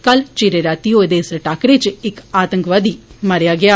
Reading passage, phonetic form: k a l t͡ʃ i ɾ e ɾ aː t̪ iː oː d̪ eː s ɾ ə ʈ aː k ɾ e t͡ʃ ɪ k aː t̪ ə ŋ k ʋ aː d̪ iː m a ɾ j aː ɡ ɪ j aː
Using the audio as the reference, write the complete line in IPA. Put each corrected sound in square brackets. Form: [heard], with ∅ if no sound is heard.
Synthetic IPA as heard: k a l t͡ʃ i ɾ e ɾ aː t̪ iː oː d̪ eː s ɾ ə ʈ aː k ɾ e t͡ʃ ɪ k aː t̪ ə ŋ k ʋ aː d̪ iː m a ɾ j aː ɡ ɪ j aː